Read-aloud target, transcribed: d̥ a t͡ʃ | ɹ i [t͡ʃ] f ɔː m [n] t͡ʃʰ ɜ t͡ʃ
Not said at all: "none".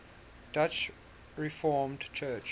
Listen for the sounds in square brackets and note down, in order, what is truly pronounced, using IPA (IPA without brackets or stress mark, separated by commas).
none, d